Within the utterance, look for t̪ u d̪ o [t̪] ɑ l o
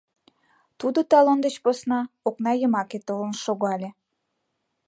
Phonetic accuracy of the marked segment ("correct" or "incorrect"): correct